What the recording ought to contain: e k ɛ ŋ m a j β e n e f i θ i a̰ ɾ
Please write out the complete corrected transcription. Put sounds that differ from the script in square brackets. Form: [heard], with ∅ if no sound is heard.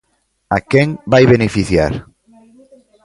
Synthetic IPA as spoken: [a] k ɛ ŋ [b] a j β e n e f i θ [j] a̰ ɾ